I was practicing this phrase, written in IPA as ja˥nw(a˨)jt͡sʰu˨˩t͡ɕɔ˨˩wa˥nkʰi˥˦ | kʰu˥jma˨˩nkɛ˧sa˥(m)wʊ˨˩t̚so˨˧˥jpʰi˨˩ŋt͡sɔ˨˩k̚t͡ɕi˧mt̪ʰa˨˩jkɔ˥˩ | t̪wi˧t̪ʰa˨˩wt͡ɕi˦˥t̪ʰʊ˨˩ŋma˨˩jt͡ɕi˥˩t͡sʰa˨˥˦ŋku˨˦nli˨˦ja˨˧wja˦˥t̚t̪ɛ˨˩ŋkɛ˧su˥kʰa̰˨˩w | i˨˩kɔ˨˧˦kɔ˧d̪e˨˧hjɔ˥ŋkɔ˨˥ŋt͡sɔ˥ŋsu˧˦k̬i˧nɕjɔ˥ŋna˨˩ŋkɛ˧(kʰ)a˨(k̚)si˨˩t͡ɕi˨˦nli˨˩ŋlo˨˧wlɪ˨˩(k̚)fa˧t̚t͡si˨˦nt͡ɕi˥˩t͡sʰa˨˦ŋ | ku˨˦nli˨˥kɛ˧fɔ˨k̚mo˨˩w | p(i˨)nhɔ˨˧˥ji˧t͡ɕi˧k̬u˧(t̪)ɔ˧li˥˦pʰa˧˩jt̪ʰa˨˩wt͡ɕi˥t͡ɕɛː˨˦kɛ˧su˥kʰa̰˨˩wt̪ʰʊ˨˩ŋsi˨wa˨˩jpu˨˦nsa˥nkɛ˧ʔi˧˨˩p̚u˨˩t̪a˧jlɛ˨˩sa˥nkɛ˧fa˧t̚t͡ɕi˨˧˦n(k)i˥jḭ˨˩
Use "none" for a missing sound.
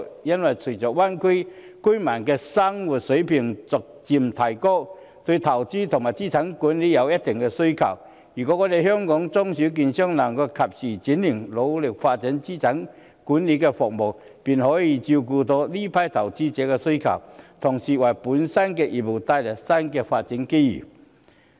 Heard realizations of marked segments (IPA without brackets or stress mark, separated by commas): a˨, ŋ, kʰ, p̚, k̚, i˨, t̪, k